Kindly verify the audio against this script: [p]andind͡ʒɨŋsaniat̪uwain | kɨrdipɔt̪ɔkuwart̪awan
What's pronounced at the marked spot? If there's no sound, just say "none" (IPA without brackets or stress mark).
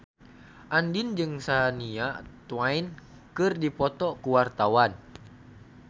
ʔ